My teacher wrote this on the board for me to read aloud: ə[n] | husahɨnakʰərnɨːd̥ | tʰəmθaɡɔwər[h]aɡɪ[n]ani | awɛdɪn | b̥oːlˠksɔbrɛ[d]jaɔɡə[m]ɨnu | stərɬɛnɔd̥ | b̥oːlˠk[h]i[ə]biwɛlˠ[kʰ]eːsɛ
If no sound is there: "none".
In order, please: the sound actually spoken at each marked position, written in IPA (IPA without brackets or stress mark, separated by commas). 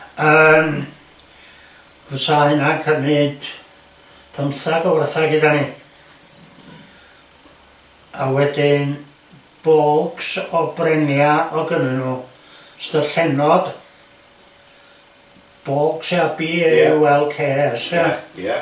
m, θ, d, n, n, s, a, kʰ